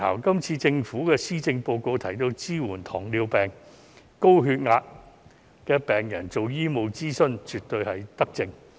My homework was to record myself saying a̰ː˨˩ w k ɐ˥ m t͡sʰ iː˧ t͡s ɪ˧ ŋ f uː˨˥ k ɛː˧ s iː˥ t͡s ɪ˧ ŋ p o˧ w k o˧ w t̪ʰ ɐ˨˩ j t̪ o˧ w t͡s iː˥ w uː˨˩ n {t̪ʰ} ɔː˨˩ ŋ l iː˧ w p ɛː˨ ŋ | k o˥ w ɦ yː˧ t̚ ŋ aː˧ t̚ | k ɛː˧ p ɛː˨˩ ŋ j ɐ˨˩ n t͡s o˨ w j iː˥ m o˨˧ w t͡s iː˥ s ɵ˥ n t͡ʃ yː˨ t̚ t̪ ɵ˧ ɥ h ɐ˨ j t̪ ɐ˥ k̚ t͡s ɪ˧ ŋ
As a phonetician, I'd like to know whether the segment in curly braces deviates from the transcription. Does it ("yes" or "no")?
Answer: no